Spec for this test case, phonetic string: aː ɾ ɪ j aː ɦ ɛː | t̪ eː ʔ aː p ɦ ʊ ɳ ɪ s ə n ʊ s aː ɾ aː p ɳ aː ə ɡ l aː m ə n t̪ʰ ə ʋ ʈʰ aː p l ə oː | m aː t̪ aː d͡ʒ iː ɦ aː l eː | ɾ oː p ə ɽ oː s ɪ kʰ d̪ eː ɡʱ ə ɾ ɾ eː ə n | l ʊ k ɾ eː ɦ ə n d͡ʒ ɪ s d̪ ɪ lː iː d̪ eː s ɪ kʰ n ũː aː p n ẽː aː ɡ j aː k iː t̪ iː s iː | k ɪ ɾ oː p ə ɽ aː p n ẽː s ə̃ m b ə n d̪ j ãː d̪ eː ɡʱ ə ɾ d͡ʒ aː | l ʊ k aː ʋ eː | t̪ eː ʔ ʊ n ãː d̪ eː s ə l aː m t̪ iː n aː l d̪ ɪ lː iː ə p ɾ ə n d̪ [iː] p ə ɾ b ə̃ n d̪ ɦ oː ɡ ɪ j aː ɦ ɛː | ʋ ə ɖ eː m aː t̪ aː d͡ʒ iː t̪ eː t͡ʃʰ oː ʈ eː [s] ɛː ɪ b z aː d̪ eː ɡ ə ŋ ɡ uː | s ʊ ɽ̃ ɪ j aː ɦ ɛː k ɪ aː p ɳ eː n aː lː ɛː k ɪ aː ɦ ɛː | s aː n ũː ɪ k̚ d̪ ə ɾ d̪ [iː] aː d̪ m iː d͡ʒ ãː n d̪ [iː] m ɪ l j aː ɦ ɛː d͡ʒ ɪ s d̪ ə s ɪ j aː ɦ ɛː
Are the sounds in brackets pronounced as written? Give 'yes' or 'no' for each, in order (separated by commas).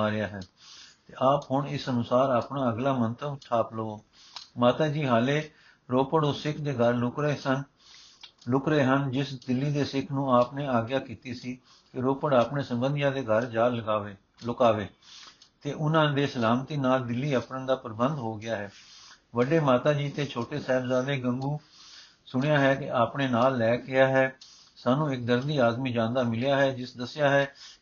no, yes, yes, no